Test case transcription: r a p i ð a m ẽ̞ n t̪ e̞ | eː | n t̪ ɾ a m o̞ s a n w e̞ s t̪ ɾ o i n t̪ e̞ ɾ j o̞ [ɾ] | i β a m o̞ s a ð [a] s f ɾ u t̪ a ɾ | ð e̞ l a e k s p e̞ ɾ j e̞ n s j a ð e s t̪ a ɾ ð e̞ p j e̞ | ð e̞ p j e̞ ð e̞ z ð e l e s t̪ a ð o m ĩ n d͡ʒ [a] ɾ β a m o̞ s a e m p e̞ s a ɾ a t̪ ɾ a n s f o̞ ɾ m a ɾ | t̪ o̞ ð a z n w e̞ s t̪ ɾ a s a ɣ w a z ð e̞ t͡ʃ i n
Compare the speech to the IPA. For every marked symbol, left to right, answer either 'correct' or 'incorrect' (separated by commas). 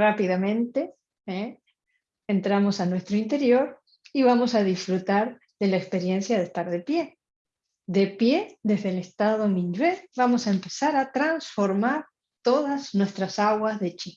correct, incorrect, incorrect